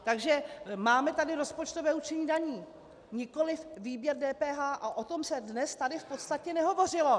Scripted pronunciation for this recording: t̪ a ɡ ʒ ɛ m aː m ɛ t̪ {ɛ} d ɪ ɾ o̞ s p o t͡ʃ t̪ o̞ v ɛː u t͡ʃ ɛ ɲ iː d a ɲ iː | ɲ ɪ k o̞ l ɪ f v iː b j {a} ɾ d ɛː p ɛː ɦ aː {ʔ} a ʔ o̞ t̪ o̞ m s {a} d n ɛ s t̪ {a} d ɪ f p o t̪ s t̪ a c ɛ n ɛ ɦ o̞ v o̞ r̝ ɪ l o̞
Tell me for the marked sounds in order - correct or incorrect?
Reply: incorrect, incorrect, correct, incorrect, correct

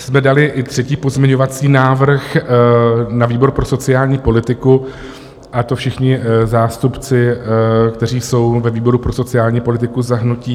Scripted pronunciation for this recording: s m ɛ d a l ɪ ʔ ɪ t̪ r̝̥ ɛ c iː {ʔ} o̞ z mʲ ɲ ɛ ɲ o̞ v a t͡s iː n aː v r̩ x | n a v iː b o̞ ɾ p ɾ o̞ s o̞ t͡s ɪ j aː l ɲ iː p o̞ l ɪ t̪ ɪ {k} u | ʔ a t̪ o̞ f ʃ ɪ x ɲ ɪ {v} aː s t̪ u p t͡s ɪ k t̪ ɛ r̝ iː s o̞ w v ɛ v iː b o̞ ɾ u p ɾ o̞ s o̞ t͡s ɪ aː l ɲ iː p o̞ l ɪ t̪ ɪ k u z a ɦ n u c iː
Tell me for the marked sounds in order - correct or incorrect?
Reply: incorrect, correct, incorrect

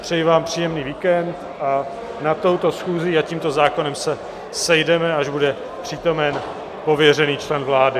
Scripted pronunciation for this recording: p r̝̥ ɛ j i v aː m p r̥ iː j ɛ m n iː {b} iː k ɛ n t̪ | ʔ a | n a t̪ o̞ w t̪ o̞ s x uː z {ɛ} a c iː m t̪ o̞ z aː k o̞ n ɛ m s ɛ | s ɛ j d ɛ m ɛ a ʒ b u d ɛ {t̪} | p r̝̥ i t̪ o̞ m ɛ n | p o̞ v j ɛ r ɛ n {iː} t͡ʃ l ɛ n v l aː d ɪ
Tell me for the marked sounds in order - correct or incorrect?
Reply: incorrect, incorrect, incorrect, correct

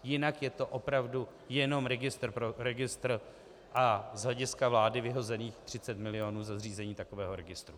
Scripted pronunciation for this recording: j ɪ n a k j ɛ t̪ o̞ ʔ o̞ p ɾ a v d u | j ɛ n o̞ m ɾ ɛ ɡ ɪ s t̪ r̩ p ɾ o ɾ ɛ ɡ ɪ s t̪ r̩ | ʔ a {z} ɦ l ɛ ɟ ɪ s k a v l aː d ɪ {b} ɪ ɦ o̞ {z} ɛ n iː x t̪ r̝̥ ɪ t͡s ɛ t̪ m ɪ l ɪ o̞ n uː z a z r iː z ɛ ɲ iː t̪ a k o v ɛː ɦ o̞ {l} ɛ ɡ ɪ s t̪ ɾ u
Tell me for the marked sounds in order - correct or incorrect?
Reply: correct, incorrect, correct, incorrect

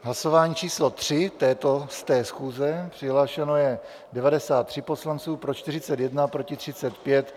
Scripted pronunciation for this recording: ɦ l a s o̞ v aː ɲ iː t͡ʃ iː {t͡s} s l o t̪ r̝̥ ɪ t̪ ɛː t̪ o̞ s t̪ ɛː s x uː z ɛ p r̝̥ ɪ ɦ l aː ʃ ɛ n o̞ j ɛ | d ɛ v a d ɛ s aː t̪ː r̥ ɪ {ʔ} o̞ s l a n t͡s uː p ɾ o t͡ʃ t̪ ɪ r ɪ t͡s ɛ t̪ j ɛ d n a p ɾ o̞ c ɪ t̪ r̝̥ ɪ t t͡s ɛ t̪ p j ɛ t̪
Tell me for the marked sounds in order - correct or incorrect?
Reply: incorrect, incorrect

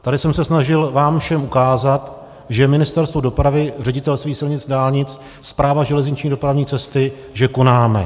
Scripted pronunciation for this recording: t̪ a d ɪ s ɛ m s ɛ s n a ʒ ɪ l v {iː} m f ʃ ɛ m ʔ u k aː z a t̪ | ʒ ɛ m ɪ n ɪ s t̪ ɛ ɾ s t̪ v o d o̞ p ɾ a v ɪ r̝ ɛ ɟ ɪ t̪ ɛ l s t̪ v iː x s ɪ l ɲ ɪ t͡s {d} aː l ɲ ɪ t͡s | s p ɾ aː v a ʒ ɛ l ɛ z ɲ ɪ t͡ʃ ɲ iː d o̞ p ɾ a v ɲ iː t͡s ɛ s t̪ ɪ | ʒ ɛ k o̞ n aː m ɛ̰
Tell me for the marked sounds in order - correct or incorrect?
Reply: incorrect, correct

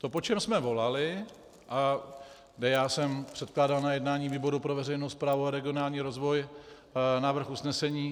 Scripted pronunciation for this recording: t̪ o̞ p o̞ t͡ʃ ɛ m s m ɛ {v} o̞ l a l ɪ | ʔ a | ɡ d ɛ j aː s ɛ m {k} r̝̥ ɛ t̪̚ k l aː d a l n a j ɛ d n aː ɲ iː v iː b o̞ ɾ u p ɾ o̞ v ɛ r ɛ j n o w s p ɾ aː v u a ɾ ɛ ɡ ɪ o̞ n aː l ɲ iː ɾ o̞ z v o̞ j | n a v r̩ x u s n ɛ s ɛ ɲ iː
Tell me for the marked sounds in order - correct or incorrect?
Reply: correct, incorrect

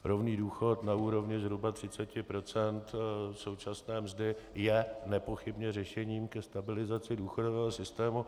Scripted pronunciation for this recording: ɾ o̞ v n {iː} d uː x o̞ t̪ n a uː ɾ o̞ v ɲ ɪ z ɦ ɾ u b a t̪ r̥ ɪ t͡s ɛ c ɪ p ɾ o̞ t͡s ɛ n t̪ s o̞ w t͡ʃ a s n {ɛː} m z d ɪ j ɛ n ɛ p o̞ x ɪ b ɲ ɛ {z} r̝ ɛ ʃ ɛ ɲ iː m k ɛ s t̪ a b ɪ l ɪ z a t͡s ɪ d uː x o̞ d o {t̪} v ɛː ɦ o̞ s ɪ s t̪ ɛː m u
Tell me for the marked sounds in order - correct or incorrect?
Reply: correct, correct, incorrect, incorrect

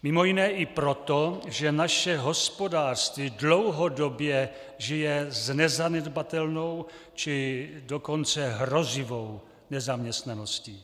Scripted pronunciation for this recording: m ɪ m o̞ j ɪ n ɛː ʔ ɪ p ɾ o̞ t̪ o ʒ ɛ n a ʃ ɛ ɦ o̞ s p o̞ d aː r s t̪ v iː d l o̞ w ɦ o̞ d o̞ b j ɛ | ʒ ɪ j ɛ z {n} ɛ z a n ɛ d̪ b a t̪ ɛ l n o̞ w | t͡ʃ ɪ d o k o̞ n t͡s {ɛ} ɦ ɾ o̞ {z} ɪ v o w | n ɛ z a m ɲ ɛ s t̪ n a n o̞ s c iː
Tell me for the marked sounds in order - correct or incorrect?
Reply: correct, correct, correct

